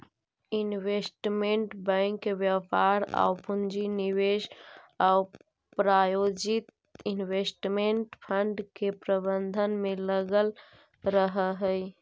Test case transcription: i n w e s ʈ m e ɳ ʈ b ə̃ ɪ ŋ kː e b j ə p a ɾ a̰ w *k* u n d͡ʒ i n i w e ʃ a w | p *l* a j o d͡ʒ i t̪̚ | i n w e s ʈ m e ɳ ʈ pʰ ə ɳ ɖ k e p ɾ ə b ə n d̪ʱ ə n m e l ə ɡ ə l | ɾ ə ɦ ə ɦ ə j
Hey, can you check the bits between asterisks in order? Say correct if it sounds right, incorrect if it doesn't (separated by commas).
incorrect, incorrect